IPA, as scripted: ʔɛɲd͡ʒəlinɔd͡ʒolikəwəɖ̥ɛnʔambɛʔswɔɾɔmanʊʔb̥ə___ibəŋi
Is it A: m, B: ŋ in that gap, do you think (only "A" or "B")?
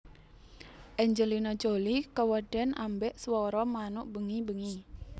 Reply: B